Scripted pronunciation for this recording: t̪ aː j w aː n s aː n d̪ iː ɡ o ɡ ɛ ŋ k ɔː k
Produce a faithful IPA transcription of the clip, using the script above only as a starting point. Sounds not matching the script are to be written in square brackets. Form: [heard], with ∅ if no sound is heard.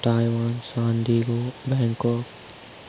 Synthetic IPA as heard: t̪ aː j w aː n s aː n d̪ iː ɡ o [b] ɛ ŋ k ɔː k